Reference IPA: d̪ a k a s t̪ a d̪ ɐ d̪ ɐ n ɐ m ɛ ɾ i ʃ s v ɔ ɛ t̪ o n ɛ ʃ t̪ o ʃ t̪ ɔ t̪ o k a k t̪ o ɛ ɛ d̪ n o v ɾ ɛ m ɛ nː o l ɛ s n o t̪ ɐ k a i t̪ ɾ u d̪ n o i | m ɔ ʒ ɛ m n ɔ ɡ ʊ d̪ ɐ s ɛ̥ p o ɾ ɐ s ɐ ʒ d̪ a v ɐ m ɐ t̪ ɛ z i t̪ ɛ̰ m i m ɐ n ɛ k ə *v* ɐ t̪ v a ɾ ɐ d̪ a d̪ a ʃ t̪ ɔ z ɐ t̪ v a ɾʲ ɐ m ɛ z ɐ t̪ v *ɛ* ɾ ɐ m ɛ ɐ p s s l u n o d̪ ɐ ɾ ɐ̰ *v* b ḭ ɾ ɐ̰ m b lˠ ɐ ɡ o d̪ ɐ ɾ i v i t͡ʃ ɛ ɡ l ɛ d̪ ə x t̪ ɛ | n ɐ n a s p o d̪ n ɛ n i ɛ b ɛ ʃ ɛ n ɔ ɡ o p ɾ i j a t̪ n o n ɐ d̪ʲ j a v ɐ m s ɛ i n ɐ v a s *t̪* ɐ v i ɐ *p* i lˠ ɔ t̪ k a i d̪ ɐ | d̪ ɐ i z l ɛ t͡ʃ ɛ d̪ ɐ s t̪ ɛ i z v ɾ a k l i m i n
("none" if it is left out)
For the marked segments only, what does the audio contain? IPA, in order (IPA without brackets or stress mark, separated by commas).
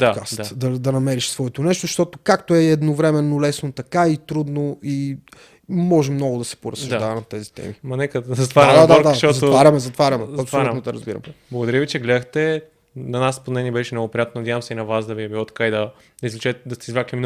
z, a, z, d̪, b